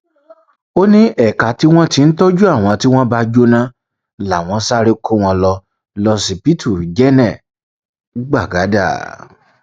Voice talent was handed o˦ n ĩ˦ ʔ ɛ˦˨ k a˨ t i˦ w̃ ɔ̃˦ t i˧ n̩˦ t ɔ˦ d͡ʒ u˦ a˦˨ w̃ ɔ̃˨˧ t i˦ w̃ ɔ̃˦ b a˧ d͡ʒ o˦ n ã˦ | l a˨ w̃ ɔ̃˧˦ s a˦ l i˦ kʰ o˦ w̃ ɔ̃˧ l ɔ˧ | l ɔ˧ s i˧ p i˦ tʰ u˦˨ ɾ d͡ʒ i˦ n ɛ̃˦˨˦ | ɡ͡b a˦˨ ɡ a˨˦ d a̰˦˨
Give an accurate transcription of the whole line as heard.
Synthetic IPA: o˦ n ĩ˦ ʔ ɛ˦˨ k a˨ t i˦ w̃ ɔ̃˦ t i˧ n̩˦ t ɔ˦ d͡ʒ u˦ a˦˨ w̃ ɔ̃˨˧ t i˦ w̃ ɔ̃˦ b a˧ d͡ʒ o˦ n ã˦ | l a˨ w̃ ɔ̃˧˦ s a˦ ɾ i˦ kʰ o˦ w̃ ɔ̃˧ l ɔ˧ | l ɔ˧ s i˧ p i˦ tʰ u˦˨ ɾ d͡ʒ ɛ˦ n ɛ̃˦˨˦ | ɡ͡b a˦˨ ɡ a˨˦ d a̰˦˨